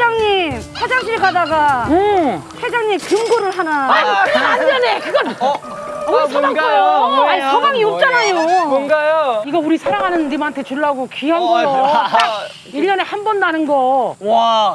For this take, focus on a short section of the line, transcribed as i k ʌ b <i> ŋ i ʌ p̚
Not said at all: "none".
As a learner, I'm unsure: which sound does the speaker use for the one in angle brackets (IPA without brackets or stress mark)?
a